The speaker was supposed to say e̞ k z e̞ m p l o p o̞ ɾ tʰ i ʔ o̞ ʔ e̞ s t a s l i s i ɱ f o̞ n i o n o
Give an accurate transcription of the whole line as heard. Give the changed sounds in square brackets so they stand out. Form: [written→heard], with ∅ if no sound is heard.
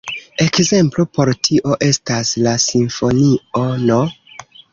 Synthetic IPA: e̞ k z e̞ m p l o p o̞ ɾ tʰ i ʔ o̞ ʔ e̞ s t a s l [i→a] s i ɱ f o̞ n i o n o